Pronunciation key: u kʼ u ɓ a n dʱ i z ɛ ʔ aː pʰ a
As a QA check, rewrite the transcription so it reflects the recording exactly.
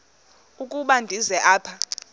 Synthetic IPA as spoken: u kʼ u ɓ a n dʱ i z ɛ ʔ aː pʰ a